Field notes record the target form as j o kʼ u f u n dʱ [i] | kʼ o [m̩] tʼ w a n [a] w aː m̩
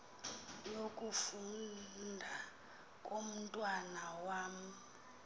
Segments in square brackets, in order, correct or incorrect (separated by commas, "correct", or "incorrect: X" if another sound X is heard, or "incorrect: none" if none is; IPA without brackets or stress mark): incorrect: a, correct, correct